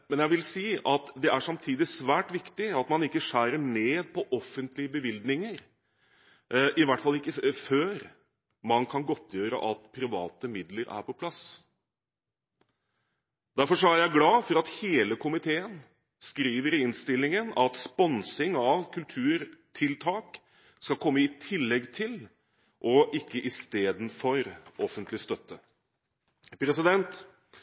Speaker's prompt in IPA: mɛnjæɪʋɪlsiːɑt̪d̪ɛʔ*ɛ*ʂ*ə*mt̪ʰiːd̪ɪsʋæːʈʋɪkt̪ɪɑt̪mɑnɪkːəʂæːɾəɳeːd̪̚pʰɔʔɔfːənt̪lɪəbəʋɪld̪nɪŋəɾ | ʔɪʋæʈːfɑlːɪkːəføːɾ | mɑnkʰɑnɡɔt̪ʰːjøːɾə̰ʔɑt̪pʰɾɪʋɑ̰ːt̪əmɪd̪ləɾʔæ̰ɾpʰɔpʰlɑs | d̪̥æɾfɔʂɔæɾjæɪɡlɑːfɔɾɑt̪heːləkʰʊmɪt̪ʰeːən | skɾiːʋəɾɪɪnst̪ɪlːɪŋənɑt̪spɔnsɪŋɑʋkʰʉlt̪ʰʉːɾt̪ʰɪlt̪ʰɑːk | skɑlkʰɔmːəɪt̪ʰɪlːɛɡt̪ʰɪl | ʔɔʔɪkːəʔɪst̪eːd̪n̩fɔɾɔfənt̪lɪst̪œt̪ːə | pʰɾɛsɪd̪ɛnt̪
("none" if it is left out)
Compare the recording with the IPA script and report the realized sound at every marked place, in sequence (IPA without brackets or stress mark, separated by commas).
æ, ɑ